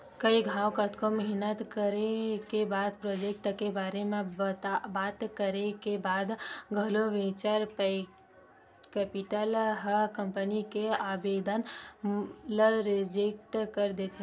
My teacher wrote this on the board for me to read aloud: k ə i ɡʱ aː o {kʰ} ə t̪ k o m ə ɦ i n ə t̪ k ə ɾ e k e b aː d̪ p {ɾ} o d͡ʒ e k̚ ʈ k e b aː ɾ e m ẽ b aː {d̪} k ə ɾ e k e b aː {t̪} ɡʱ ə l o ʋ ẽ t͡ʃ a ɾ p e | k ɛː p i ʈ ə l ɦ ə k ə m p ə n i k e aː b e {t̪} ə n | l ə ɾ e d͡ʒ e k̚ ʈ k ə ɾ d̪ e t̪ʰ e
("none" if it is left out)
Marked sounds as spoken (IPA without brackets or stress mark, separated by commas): k, ɾ, t̪, d̪, d̪